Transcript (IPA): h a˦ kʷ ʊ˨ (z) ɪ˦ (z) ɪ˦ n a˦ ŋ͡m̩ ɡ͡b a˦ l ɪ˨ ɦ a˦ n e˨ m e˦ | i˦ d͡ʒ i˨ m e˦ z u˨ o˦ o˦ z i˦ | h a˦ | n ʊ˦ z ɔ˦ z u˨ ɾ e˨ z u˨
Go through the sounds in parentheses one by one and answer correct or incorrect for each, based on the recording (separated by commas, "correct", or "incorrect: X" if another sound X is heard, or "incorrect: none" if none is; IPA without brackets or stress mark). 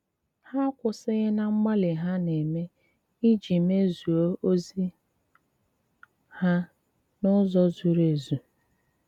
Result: incorrect: s, incorrect: ɣ